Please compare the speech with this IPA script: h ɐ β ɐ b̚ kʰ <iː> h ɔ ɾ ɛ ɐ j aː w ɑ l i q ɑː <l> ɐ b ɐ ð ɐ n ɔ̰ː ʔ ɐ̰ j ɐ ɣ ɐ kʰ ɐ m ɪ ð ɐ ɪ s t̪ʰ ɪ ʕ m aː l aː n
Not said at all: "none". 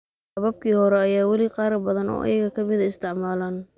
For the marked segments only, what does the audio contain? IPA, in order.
iː, ɾ

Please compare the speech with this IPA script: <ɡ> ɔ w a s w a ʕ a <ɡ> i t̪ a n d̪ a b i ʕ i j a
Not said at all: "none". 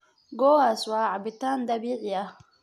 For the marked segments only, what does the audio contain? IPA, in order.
ɡ, b

